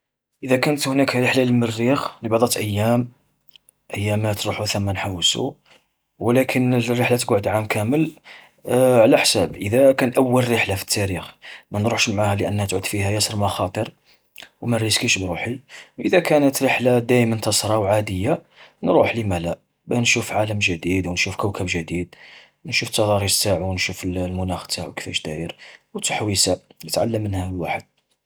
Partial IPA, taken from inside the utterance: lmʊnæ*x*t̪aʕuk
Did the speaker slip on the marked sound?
no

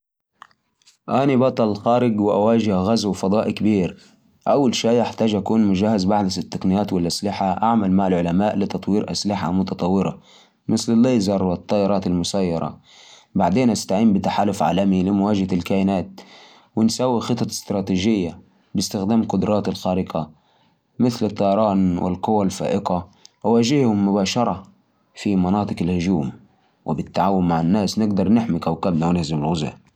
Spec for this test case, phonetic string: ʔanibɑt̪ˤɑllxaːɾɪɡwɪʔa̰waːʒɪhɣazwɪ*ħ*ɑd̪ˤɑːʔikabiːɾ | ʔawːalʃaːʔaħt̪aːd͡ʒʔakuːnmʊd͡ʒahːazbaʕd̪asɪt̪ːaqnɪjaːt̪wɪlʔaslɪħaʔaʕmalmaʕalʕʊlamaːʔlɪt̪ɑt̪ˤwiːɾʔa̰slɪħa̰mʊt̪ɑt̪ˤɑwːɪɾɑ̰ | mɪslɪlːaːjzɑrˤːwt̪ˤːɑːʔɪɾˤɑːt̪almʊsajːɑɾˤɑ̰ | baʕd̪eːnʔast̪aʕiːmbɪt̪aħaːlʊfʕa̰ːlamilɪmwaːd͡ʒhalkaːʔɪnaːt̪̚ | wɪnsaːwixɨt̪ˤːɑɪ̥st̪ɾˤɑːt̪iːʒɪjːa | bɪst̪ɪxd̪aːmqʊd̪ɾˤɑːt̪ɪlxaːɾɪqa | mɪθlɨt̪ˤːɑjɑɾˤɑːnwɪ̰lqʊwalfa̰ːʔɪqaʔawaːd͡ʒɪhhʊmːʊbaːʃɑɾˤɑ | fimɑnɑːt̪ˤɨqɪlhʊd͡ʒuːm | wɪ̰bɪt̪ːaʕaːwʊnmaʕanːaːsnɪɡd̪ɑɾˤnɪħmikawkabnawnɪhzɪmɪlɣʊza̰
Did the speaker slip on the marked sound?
yes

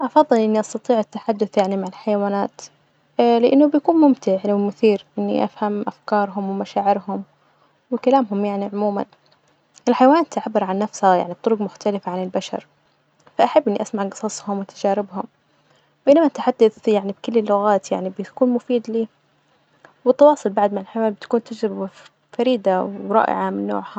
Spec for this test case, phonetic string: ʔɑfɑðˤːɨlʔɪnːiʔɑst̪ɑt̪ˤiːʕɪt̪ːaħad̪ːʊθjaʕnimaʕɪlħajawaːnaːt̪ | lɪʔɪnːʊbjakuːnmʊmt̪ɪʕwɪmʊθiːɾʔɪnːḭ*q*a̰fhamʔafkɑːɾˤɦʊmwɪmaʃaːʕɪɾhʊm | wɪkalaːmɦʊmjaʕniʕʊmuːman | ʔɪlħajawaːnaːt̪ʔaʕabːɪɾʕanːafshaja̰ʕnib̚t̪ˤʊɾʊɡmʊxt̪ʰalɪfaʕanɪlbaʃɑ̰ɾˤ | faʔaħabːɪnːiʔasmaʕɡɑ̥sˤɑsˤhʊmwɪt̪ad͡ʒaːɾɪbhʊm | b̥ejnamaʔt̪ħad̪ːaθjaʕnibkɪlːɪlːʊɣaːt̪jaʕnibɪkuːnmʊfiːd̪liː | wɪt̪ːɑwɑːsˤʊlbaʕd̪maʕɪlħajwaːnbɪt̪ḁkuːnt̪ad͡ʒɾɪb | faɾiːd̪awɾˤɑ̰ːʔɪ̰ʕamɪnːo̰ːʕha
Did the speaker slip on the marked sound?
yes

